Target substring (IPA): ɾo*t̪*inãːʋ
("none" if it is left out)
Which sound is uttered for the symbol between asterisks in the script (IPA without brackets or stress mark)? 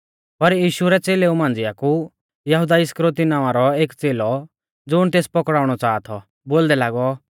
t̪